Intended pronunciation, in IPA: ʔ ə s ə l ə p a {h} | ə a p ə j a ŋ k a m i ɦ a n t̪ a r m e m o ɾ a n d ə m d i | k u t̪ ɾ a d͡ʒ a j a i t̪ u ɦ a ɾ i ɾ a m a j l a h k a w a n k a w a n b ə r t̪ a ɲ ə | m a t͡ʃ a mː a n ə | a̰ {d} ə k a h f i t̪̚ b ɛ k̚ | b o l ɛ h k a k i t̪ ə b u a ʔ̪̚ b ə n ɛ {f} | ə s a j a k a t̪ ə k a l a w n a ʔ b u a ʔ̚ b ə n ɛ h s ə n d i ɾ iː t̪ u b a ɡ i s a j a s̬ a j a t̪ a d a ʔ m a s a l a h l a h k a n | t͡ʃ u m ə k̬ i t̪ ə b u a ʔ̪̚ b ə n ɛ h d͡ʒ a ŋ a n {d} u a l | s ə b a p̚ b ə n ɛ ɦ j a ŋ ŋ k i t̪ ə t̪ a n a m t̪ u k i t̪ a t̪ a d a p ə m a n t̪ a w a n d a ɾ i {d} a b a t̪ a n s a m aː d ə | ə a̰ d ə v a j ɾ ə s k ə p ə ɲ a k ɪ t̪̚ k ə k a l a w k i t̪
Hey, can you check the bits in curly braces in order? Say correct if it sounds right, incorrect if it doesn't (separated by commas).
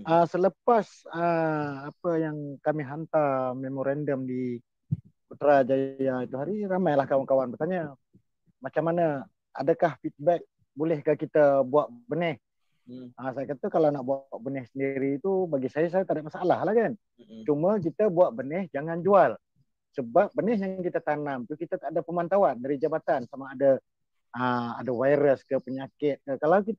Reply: incorrect, correct, incorrect, incorrect, incorrect